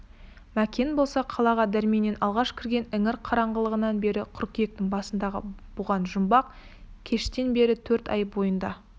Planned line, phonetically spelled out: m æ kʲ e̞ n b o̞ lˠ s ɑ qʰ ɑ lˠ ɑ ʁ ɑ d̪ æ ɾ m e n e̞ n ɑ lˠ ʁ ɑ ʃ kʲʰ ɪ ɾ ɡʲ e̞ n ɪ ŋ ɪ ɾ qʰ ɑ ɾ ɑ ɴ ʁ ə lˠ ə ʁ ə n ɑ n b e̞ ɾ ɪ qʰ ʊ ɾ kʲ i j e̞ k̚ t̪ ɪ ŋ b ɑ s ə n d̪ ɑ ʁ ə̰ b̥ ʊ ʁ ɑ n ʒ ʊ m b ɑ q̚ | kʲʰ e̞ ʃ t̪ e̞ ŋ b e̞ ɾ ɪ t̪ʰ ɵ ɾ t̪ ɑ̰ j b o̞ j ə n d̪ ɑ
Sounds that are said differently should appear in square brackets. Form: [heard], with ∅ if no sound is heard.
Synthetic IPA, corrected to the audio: m æ kʲ e̞ n b o̞ lˠ s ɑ qʰ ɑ lˠ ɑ ʁ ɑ d̪ æ ɾ m e n e̞ n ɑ lˠ ʁ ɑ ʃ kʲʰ ɪ ɾ ɡʲ e̞ n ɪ ŋ ɪ ɾ qʰ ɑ ɾ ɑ ɴ ʁ ə lˠ ə ʁ ə n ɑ n b e̞ ɾ ɪ qʰ ʊ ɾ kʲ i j e̞ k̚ t̪ ɪ ŋ b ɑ s ə n d̪ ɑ ʁ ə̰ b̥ ʊ ʁ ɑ n ʒ ʊ m b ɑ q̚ | kʲʰ e̞ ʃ t̪ e̞ [n] b e̞ ɾ ɪ t̪ʰ ɵ ɾ t̪ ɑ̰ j b o̞ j ə n d̪ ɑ